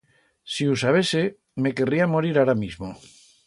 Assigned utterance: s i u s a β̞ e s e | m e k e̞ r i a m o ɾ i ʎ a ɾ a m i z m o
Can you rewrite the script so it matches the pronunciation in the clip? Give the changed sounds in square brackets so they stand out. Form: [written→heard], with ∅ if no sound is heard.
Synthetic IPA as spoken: s i u s a β̞ e s e | m e k e̞ r i a m o ɾ i [ʎ→ɾ] a ɾ a m i z m o